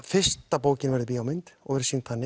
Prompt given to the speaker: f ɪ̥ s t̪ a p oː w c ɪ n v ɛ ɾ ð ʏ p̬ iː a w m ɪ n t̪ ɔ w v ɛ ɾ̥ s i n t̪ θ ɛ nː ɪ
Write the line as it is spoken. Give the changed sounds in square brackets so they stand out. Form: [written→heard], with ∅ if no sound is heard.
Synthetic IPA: f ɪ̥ s t̪ a p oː w c ɪ n v ɛ ɾ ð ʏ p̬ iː a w m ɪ n t̪ ɔ [w→ɣ] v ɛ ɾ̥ s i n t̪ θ [ɛ→a] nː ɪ